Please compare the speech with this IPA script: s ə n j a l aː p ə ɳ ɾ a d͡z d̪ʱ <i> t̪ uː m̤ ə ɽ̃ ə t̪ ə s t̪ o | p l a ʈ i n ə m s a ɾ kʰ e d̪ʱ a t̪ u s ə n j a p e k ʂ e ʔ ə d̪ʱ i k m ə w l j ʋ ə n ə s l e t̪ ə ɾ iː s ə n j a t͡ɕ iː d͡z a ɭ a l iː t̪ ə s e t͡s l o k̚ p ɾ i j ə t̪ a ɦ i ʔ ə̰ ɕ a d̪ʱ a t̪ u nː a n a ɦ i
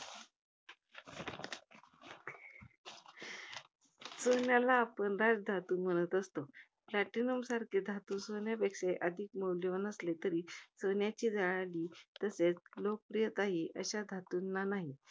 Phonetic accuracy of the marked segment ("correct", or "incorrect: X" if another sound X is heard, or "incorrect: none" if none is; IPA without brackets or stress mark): incorrect: a